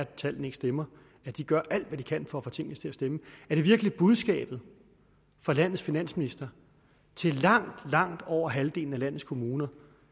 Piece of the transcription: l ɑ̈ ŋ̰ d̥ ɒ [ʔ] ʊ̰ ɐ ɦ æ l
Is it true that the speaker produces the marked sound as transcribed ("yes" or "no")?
no